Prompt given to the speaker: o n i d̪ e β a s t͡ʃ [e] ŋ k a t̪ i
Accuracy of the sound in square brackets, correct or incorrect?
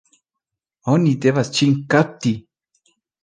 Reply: incorrect